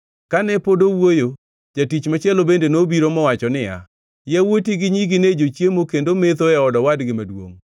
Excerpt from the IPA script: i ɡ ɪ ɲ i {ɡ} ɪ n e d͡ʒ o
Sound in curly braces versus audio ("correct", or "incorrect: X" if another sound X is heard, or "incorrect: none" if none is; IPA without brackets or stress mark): correct